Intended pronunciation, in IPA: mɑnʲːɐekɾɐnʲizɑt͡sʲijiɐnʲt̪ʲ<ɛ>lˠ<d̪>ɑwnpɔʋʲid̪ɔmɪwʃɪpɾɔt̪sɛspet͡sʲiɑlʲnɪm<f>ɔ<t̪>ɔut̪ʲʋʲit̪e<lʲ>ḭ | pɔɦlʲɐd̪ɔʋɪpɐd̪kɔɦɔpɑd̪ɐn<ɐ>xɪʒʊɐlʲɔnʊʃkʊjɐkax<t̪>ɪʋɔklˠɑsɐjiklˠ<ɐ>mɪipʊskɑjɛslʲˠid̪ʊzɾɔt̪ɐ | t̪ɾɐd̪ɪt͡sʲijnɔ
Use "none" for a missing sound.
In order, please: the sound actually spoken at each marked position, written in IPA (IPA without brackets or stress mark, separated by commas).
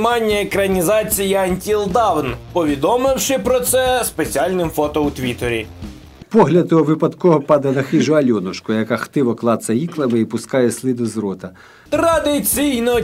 i, d̪, f, t̪, ɾʲ, ɐ, t̪, ɐ